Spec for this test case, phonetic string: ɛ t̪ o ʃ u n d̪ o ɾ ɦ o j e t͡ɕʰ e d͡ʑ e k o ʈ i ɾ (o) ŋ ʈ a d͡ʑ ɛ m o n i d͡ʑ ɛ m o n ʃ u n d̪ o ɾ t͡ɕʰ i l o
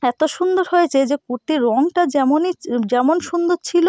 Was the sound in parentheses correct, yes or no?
no